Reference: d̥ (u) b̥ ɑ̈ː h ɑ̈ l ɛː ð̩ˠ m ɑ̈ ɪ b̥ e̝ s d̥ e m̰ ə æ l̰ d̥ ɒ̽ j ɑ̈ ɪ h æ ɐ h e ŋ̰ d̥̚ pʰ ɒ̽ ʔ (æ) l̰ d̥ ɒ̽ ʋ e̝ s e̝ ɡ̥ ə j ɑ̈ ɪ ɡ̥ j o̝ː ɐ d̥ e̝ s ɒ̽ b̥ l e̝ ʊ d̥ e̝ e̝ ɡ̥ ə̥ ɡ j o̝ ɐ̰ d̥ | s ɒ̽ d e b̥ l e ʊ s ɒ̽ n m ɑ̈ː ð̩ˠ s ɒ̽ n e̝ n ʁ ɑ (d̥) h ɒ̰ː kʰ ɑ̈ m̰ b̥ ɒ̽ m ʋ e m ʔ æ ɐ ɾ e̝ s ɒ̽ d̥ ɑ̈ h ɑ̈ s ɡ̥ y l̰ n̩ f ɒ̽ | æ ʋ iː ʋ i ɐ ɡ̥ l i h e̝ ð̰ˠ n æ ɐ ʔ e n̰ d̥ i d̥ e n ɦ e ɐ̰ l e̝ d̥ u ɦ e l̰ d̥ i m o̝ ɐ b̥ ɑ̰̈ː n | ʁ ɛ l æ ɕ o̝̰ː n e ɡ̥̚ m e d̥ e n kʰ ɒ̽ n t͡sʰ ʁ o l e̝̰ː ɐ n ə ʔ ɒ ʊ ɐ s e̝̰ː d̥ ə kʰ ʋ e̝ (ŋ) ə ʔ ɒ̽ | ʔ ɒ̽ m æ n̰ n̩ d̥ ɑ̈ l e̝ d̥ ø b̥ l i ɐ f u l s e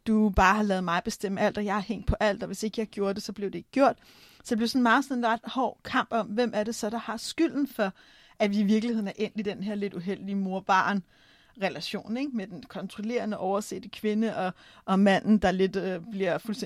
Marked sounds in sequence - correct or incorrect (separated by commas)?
correct, correct, correct, incorrect